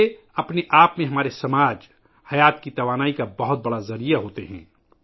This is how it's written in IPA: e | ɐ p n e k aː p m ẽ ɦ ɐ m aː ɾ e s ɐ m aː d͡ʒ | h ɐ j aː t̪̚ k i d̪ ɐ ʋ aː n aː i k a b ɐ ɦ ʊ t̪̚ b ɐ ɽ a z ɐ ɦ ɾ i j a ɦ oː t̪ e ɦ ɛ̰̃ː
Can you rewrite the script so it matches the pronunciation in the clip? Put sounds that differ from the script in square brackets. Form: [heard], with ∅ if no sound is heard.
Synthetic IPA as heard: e | ɐ p n e [ʔ] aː p m ẽ ɦ ɐ m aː ɾ e s ɐ m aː d͡ʒ | h ɐ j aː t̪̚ k i [t̪] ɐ ʋ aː n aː i k a b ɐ ɦ ʊ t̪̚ b ɐ ɽ a z ɐ [∅] ɾ i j a ɦ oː t̪ e ɦ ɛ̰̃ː

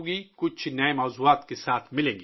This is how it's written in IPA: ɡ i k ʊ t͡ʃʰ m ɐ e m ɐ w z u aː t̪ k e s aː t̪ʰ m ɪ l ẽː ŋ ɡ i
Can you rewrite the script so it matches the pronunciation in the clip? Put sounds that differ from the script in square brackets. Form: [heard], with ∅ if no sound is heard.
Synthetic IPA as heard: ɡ i k ʊ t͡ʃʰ [n] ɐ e m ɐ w z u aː t̪ k e s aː t̪ʰ m ɪ l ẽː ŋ ɡ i

